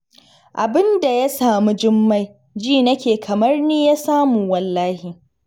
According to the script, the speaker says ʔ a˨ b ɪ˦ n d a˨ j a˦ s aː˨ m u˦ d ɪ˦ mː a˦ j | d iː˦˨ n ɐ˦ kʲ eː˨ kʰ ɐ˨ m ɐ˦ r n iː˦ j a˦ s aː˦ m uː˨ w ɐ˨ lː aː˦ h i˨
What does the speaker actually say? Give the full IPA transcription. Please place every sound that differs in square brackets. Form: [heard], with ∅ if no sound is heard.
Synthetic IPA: ʔ a˨ b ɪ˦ n d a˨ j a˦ s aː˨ m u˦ [d͡ʒ] ɪ˦ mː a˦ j | [d͡ʒ] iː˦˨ n ɐ˦ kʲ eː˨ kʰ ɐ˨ m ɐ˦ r n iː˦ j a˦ s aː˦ m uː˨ w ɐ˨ lː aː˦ h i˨